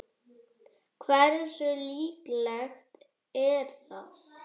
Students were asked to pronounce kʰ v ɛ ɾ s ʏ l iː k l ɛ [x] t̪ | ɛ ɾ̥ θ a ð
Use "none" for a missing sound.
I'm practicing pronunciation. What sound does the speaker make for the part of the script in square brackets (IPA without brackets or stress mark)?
x